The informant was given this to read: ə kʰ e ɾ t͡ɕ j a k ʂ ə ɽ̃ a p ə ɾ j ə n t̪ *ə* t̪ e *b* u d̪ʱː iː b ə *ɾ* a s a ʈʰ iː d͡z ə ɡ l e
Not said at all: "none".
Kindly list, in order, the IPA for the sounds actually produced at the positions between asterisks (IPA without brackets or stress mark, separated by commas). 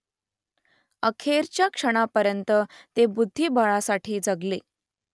ə, b, ɭ